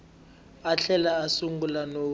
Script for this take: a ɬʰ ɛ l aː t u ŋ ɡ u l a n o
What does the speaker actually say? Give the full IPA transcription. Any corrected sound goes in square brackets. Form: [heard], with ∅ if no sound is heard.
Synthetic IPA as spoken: a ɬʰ ɛ l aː [s] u ŋ ɡ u l a n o